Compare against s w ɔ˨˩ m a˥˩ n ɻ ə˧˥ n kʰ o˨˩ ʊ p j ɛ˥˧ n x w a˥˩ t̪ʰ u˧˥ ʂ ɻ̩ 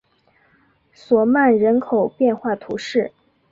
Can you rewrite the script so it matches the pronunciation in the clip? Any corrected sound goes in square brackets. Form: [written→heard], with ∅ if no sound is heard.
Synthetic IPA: s w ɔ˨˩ m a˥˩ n ɻ ə˧˥ n kʰ o˨˩ ʊ p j ɛ˥˧ n x w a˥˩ t̪ʰ u˧˥ ʂ ɻ̩